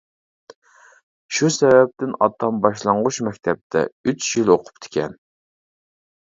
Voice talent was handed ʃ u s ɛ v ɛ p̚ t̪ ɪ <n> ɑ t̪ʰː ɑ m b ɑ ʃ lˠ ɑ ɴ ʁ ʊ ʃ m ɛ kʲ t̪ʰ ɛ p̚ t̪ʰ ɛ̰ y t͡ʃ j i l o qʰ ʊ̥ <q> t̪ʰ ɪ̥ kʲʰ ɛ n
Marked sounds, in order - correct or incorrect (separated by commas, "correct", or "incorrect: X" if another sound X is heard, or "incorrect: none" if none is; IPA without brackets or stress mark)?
correct, incorrect: p